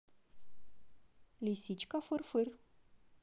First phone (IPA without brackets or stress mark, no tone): l